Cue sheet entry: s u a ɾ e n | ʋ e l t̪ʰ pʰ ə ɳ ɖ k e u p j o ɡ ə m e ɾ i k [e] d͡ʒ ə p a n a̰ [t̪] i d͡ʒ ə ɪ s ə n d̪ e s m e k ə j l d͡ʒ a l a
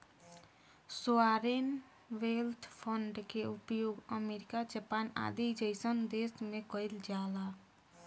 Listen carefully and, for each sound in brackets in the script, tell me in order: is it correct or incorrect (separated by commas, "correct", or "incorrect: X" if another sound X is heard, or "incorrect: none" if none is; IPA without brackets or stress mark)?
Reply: incorrect: a, incorrect: d̪